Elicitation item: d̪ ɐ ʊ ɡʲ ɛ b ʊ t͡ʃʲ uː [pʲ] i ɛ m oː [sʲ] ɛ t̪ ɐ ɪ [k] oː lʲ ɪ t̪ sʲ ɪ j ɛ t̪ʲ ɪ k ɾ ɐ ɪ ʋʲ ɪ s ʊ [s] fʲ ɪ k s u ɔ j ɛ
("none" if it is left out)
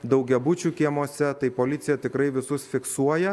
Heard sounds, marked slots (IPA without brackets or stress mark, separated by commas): kʲ, sʲ, p, s